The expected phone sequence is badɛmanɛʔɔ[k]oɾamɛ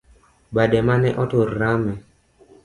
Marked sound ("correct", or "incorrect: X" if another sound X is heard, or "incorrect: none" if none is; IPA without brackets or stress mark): incorrect: t